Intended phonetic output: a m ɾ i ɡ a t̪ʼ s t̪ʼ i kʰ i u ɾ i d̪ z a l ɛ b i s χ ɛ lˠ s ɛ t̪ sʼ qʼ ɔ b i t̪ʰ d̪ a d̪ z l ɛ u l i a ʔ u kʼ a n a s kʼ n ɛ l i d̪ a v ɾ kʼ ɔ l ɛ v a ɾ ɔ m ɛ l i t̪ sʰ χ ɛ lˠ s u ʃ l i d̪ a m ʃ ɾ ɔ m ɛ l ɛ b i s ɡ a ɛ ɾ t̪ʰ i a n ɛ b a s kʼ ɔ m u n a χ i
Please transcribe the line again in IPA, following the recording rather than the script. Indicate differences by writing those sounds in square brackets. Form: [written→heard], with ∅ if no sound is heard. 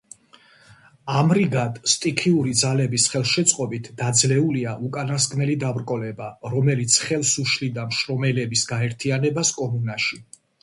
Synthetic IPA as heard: a m ɾ i ɡ a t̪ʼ s t̪ʼ i kʰ i u ɾ i d̪ z a l ɛ b i s χ ɛ lˠ [s→ʃ] ɛ t̪ sʼ qʼ ɔ b i t̪ʰ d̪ a d̪ z l ɛ u l i a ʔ u kʼ a n a s kʼ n ɛ l i d̪ a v ɾ kʼ ɔ l ɛ [v→b] a ɾ ɔ m ɛ l i t̪ sʰ χ ɛ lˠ s u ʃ l i d̪ a m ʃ ɾ ɔ m ɛ l ɛ b i s ɡ a ɛ ɾ t̪ʰ i a n ɛ b a s kʼ ɔ m u n a [χ→ʃ] i